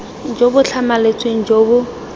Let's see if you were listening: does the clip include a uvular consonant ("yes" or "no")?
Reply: no